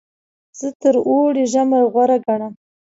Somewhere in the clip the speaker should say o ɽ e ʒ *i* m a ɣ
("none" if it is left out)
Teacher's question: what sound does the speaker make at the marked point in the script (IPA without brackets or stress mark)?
a